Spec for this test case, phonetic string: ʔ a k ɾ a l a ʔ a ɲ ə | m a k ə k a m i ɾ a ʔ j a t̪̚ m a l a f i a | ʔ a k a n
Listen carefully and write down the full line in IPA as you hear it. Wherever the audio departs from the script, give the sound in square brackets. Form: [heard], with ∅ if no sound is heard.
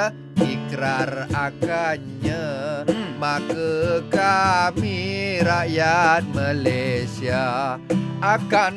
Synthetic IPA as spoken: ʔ [i] k ɾ a [r] a [k] a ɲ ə | m a k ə k a m i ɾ a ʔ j a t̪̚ m a l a [s] i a | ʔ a k a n